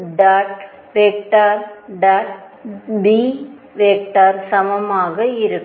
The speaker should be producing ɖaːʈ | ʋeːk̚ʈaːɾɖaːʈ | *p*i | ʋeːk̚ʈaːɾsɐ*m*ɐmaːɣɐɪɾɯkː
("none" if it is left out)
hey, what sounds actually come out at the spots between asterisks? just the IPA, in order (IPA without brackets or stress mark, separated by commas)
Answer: b, m